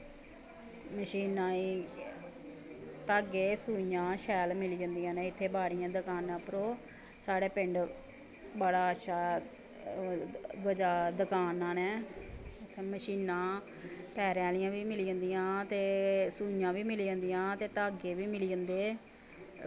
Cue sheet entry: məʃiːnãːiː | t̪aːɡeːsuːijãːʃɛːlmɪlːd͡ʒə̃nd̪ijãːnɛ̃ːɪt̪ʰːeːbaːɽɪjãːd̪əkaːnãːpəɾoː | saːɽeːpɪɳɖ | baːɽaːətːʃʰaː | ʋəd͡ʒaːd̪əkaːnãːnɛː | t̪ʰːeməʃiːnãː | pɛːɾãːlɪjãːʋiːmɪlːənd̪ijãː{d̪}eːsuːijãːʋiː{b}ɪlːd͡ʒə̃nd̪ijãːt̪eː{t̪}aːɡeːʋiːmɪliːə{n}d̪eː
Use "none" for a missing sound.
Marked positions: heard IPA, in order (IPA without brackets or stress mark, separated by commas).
t̪, m, t̪, n